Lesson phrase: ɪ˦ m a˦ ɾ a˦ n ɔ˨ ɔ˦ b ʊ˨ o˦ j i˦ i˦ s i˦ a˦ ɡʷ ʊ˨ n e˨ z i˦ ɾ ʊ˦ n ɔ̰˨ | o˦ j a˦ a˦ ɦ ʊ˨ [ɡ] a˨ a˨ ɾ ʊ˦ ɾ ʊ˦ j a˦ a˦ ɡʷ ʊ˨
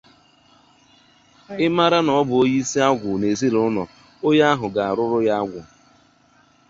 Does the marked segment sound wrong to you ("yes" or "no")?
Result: no